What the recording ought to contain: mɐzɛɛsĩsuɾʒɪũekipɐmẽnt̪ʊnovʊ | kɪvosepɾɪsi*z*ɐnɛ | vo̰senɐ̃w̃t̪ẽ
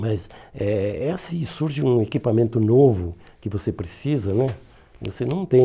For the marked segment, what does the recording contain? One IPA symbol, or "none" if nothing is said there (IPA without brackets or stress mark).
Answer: z